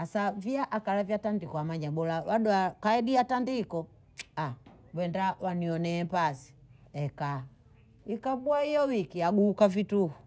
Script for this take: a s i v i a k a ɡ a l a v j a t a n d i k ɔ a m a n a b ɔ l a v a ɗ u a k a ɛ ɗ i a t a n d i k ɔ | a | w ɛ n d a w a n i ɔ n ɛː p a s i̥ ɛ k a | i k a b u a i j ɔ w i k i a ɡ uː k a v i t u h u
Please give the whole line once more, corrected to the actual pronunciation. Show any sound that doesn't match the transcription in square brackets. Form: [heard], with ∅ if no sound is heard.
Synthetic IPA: a s [a] v i a [ʔ] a [k] a l a v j a t a n d i k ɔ a m a [ɲ] a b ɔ l a [w] a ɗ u a k a ɛ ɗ i a t a n d i k ɔ | a | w ɛ n d a w a n i ɔ n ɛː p a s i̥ ɛ k a | i k a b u a i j ɔ w i k i a ɡ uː k a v i t u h u